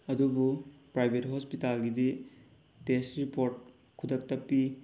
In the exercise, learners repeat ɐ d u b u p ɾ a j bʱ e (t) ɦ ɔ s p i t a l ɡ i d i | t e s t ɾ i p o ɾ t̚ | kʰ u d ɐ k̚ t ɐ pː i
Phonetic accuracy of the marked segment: correct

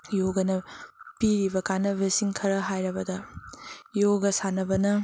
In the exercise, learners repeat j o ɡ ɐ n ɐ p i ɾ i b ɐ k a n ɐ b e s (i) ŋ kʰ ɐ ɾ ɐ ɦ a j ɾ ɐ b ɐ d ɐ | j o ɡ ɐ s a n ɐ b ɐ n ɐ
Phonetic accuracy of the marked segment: correct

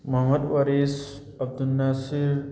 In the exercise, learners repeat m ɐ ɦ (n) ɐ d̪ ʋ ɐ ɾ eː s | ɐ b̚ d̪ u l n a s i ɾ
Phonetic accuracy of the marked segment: incorrect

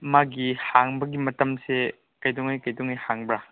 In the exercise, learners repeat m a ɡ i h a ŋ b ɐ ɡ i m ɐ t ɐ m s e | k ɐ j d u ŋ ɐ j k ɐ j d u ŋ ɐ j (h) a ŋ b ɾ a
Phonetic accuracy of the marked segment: correct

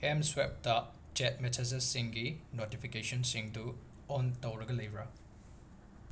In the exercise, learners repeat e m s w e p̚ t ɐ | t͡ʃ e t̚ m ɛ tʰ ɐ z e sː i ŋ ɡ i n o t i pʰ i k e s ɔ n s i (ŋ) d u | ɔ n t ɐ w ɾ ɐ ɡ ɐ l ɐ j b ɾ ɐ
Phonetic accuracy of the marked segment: correct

